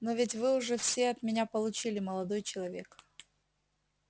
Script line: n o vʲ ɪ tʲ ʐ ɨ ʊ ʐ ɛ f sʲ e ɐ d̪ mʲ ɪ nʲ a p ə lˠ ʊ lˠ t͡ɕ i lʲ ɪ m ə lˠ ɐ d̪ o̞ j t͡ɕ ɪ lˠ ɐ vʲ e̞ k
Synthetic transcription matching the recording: n o vʲ ɪ tʲ v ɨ ʊ ʐ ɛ f sʲ e ɐ t̪ mʲ ɪ nʲ a p ə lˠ ʊ t͡ɕ i lʲ ɪ m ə lˠ ɐ d̪ o̞ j t͡ɕ ɪ lˠ ɐ vʲ e̞ k